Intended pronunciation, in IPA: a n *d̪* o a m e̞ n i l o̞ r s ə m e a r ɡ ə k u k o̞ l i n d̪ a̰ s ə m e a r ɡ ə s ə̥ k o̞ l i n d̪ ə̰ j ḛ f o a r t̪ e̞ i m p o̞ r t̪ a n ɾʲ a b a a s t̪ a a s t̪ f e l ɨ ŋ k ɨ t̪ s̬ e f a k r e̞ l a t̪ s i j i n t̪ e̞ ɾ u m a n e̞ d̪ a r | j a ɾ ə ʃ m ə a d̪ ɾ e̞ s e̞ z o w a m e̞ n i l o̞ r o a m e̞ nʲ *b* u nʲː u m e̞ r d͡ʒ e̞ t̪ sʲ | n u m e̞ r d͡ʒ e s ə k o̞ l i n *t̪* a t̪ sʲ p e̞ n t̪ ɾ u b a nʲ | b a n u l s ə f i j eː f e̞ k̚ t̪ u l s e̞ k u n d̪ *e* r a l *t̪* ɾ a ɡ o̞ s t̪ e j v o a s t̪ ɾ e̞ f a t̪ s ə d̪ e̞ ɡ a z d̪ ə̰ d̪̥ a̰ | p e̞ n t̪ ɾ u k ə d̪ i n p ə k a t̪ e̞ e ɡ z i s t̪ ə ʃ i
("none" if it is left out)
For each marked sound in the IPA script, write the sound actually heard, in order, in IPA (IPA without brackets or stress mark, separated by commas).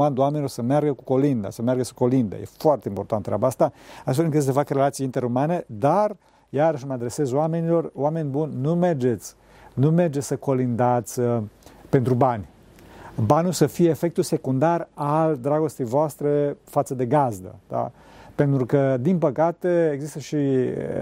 d̪, b, d̪, a, d̪